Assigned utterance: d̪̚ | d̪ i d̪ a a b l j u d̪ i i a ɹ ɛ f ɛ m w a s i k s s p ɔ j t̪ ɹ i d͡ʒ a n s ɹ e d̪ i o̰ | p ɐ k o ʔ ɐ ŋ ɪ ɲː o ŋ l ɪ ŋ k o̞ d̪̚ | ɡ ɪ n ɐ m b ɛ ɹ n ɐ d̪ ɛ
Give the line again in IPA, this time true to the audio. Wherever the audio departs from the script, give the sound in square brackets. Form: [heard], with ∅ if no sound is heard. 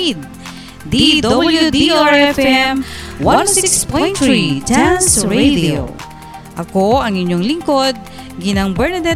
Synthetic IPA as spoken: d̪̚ | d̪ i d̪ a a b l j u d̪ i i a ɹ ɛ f ɛ m w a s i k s s p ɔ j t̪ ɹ i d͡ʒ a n s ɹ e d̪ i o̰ | [ʔ] ɐ k o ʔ ɐ ŋ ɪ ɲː o ŋ l ɪ ŋ k o̞ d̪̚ | ɡ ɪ n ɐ [ŋ] b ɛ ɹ n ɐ d̪ ɛ